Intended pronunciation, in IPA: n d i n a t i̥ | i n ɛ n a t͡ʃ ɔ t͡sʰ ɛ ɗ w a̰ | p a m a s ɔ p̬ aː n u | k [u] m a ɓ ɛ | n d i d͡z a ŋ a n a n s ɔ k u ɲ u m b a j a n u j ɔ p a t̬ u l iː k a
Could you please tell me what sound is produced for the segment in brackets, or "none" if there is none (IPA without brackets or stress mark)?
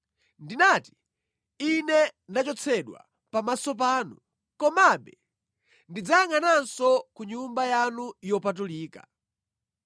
ɔ